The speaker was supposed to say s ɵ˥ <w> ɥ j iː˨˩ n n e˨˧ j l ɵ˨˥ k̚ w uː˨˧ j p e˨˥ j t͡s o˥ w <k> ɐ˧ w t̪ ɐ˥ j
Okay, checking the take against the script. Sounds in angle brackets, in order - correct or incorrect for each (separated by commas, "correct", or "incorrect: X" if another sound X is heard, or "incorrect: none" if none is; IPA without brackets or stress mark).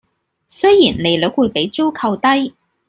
incorrect: none, incorrect: kʰ